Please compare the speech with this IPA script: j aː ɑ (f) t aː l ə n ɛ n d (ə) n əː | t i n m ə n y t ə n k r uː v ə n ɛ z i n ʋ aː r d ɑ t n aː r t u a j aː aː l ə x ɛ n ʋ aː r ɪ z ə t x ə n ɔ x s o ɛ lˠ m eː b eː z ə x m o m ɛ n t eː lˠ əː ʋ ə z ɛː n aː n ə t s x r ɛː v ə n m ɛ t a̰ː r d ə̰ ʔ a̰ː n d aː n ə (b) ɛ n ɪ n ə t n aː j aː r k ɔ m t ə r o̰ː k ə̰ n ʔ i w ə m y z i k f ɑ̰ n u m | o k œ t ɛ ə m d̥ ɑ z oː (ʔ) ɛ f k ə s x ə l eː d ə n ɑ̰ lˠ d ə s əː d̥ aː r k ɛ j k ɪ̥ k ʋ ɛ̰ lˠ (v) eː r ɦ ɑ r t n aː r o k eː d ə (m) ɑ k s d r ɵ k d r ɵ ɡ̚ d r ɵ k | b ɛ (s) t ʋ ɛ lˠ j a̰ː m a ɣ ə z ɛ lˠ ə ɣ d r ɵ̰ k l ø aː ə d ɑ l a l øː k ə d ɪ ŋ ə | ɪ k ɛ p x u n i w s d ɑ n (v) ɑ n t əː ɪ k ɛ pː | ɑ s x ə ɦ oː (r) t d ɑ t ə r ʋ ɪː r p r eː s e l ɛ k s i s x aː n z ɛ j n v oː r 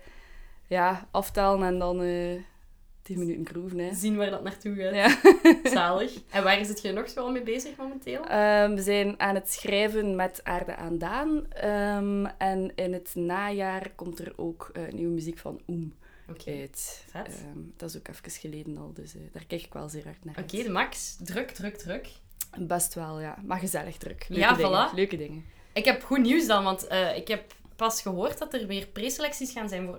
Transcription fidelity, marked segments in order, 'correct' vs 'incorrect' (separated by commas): correct, incorrect, incorrect, incorrect, incorrect, correct, correct, incorrect, correct